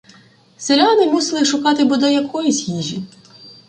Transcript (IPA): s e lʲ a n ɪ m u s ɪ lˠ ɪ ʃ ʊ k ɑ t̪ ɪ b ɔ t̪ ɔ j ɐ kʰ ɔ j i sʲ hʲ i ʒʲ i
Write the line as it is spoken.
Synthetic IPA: s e lʲ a n ɪ m u s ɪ lˠ ɪ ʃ ʊ k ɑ t̪ ɪ b ɔ d̪ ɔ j ɐ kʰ ɔ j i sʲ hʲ i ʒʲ i